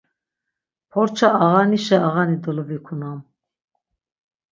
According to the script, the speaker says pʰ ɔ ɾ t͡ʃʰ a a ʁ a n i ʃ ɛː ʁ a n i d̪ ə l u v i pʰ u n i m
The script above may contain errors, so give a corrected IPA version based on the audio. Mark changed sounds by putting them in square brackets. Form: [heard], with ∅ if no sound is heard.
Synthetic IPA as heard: pʰ ɔ ɾ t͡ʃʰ a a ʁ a n i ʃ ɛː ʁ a n i d̪ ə l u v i [kʰ] u n [a] m